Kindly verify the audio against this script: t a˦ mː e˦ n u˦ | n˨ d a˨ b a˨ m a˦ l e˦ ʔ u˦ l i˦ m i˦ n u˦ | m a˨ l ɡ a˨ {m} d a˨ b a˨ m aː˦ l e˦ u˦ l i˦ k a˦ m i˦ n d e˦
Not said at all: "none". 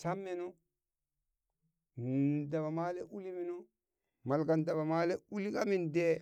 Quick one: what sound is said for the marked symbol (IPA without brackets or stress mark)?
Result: n